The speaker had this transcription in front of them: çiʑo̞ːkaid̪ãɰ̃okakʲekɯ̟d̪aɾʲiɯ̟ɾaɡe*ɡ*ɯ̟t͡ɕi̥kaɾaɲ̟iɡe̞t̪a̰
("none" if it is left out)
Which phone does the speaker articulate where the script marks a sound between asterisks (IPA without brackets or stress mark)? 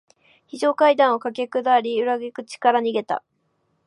k